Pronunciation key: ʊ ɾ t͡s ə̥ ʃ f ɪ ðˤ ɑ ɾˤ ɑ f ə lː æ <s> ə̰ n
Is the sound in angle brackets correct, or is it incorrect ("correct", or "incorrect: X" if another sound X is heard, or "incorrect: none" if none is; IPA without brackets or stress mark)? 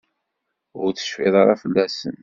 correct